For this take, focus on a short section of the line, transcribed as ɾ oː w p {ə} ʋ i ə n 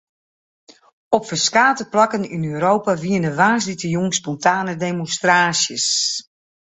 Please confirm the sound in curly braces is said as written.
no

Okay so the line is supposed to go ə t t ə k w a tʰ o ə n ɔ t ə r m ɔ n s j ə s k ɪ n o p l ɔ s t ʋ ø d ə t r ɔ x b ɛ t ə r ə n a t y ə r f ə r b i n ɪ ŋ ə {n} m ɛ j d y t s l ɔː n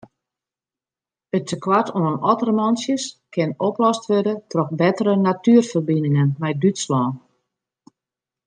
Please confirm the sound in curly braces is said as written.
yes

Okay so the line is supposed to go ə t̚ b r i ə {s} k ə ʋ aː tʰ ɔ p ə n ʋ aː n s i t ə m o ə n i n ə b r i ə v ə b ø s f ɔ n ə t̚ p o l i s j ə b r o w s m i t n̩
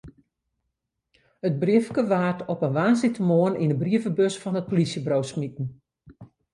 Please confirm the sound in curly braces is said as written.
no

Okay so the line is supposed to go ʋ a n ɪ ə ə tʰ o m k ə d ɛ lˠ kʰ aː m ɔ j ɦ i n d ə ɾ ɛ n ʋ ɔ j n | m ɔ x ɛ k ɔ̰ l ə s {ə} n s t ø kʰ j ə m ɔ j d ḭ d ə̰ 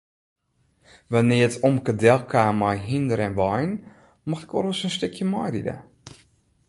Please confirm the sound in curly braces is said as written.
yes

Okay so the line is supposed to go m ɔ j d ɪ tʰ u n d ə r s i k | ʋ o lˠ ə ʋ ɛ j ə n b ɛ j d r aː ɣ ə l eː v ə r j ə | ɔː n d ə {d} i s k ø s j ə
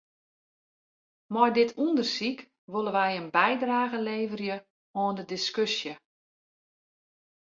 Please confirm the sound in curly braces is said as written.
yes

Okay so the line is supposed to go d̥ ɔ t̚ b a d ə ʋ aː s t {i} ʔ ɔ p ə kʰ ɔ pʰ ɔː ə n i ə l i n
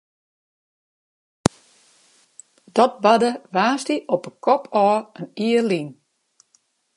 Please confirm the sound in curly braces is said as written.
yes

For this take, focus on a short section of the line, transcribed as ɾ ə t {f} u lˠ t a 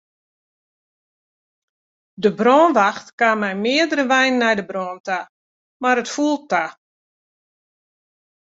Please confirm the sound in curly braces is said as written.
yes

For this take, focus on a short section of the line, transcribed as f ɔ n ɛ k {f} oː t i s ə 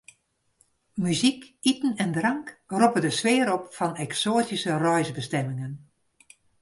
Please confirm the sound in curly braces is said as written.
no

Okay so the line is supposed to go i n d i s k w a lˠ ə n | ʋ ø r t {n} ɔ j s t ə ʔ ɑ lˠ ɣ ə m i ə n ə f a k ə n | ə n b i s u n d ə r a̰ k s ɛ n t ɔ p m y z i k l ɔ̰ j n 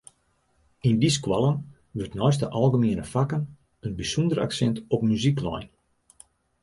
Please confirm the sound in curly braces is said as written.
yes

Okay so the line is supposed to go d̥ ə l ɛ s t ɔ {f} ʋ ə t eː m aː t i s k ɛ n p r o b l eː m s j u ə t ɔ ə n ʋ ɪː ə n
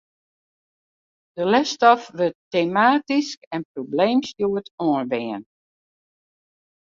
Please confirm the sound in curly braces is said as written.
yes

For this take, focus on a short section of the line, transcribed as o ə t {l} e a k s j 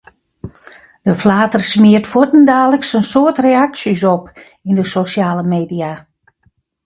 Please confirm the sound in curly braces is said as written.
no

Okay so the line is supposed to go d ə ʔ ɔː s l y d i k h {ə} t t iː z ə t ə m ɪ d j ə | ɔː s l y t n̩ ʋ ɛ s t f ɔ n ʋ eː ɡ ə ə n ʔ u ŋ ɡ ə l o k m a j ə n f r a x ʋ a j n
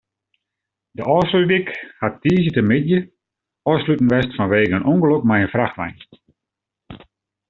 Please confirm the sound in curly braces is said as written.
no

